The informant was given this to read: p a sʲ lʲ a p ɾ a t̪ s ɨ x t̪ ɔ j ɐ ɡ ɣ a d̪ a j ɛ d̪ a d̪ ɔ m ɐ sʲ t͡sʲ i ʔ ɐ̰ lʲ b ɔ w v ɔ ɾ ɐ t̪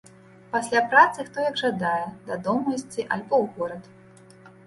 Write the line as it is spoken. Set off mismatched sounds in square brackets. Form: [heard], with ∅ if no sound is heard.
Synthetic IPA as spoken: p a sʲ lʲ a p ɾ a t̪ s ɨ x t̪ ɔ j ɐ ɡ [ʐ] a d̪ a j ɛ d̪ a d̪ ɔ m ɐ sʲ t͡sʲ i ʔ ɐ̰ lʲ b ɔ w [ɣ] ɔ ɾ ɐ t̪